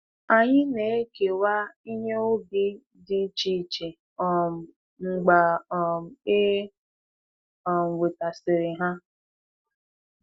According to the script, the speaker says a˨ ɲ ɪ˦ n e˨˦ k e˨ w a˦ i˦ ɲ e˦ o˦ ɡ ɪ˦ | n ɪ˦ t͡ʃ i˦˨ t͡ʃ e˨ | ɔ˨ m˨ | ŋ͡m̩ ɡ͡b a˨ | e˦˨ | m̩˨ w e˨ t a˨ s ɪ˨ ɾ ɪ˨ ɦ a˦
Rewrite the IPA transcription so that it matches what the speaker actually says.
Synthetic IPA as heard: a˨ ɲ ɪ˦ n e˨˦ k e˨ w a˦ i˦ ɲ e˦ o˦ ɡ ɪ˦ | d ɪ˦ t͡ʃ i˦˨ t͡ʃ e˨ | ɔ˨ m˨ | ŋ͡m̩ ɡ͡b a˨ | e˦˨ | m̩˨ w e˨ t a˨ s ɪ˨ ɾ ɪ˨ ɦ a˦